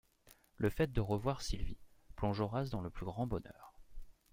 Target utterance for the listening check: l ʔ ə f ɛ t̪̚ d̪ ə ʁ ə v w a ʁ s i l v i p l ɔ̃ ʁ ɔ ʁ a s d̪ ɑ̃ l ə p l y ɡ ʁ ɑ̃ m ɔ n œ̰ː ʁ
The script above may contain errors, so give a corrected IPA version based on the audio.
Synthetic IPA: l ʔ ə f ɛ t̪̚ d̪ ə ʁ ə v w a ʁ s i l v i p l ɔ̃ ʒ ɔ ʁ a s d̪ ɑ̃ l ə p l y ɡ ʁ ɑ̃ b ɔ n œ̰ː ʁ